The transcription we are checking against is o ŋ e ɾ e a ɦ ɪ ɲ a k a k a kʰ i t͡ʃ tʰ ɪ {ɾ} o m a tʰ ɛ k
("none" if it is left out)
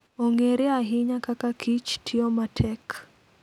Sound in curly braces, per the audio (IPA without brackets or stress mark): none